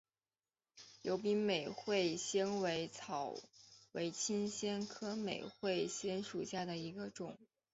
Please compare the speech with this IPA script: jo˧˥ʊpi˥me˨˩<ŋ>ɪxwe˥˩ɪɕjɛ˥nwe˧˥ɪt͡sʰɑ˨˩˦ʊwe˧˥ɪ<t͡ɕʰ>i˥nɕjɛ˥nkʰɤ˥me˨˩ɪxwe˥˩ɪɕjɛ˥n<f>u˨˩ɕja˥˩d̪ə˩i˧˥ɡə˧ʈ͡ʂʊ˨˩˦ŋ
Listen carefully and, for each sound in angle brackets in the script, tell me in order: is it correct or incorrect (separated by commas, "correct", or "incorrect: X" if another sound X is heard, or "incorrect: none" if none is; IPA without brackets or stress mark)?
incorrect: none, correct, incorrect: ʂ